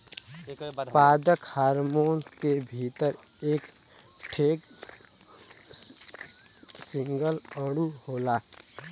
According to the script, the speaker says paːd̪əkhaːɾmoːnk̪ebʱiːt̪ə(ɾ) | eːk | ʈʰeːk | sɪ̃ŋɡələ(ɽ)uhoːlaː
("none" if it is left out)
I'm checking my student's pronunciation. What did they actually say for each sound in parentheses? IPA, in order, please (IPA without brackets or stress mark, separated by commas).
ɾ, ɽ